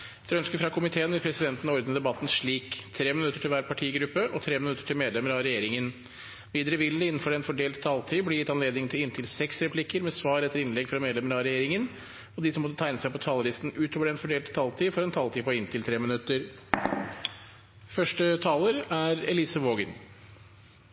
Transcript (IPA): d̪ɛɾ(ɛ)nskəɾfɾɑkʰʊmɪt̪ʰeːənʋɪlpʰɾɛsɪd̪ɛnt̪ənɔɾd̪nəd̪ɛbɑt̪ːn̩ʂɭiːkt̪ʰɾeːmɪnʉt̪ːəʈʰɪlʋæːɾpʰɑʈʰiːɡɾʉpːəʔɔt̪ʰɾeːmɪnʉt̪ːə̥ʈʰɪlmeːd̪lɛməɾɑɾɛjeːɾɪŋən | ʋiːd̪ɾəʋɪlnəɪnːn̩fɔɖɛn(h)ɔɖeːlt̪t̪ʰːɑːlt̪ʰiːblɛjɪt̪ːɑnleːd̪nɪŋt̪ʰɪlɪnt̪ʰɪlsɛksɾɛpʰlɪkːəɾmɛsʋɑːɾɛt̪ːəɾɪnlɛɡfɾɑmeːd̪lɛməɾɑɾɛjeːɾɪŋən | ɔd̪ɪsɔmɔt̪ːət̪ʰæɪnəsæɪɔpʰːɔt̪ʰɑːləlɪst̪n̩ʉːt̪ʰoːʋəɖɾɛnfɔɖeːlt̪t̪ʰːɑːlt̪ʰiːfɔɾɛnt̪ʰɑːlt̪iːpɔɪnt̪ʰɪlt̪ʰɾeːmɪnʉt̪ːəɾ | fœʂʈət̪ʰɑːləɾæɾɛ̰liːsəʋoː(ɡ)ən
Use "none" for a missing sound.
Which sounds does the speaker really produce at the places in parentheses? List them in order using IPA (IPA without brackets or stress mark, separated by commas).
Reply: œ, f, ɡ